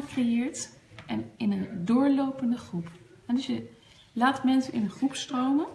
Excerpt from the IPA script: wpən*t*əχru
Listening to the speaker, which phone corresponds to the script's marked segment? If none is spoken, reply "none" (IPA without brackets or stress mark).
d